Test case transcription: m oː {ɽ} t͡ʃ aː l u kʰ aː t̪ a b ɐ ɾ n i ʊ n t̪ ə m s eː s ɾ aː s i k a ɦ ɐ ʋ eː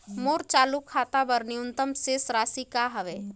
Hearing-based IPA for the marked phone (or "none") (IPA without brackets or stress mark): ɾ